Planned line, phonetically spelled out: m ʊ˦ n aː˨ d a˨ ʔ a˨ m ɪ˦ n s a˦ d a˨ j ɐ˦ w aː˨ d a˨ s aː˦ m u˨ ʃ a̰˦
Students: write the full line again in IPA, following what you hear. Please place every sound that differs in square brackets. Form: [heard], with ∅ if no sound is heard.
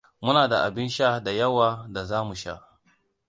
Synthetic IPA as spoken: m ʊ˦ n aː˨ d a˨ ʔ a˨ [b] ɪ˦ n [ʃ] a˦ d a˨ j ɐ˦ w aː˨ d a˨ [z] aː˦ m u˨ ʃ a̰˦